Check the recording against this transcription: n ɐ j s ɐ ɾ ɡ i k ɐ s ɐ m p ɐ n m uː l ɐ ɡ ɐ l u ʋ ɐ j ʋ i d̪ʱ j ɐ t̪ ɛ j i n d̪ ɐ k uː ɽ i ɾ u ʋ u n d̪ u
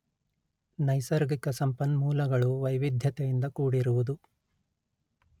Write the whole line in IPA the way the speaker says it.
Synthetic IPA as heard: n ɐ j s ɐ ɾ ɡ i k ɐ s ɐ m p ɐ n m uː l ɐ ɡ ɐ ɭ u ʋ ɐ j ʋ i d̪ʱ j ɐ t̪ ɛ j i n d̪ ɐ k uː ɽ i ɾ u ʋ u d̪ u

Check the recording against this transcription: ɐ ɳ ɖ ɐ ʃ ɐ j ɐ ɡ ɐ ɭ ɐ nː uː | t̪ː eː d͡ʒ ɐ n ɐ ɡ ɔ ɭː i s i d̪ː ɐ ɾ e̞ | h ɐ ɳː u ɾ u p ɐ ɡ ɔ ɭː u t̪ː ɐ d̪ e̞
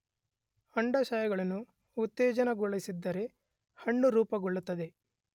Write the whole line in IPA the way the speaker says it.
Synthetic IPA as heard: ɐ ɳ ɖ ɐ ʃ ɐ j ɐ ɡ ɐ ɭ ɐ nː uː | t̪ː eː d͡ʒ ɐ n ɐ ɡ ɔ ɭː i s i d̪ː ɐ ɾ e̞ | h ɐ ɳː u ɾ uː p ɐ ɡ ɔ ɭː u t̪ː ɐ d̪ e̞

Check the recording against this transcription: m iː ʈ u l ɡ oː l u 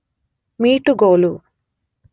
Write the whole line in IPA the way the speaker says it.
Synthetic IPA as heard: m iː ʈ u ɡ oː l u

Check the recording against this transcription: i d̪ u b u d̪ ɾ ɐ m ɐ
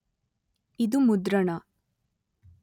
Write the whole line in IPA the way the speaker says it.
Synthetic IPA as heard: i d̪ u m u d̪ ɾ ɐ ɳ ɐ

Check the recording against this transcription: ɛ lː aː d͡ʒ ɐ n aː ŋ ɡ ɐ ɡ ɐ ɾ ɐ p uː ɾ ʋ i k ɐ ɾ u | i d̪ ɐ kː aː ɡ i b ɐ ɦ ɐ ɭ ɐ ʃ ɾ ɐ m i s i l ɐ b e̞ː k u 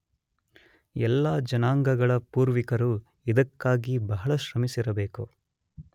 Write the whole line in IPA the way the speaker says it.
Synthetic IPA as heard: ɛ lː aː d͡ʒ ɐ n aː ŋ ɡ ɐ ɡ ɐ ɭ ɐ p uː ɾ ʋ i k ɐ ɾ u | i d̪ ɐ kː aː ɡ i b ɐ ɦ ɐ ɭ ɐ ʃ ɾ ɐ m i s i ɾ ɐ b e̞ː k u

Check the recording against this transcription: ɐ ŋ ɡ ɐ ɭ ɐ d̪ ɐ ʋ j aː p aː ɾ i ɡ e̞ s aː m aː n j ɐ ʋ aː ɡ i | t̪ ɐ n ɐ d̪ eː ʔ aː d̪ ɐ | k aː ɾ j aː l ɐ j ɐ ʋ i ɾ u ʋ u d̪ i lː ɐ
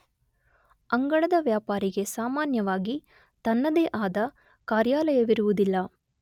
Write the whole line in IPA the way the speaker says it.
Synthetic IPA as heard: ɐ ŋ ɡ ɐ ɭ ɐ d̪ ɐ ʋ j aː p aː ɾ i ɡ e̞ s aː m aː n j ɐ ʋ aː ɡ i | t̪ ɐ nː ɐ d̪ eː ʔ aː d̪ ɐ | k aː ɾ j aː l ɐ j ɐ ʋ i ɾ u ʋ u d̪ i lː ɐ

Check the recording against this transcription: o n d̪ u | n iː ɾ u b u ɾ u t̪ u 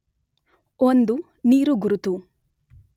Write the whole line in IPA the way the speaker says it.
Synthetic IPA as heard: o n d̪ u | n iː ɾ u ɡ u ɾ u t̪ u

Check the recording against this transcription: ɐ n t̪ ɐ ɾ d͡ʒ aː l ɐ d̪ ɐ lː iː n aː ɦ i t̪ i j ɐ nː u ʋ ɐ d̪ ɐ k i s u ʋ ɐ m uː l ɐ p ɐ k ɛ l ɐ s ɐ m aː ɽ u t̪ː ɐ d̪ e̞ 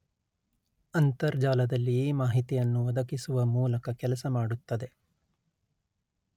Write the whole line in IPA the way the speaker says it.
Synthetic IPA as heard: ɐ n t̪ ɐ ɾ d͡ʒ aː l ɐ d̪ ɐ lː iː m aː ɦ i t̪ i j ɐ nː u ʋ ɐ d̪ ɐ k i s u ʋ ɐ m uː l ɐ k ɐ k ɛ l ɐ s ɐ m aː ɽ u t̪ː ɐ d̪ e̞

